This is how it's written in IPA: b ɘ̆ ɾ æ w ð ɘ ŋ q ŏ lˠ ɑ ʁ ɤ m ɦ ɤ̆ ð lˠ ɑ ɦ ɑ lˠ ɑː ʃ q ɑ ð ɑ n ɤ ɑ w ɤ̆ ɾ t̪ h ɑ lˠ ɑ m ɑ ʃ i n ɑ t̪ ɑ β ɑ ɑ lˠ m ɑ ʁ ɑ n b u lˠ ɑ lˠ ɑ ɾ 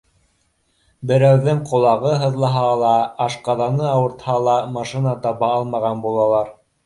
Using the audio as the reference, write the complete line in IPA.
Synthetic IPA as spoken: b ɘ̆ ɾ æ w ð ɘ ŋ q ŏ lˠ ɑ ʁ ɤ ɦ ɤ̆ ð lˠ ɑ ɦ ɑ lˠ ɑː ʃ q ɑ ð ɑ n ɤ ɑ w ɤ̆ ɾ t̪ h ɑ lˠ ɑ m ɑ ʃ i n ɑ t̪ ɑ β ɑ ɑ lˠ m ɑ ʁ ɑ n b u lˠ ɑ lˠ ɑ ɾ